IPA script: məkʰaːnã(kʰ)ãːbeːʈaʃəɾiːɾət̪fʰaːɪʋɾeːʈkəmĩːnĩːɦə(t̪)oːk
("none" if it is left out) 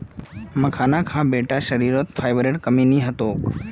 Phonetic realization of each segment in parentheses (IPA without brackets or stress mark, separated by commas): kʰ, t̪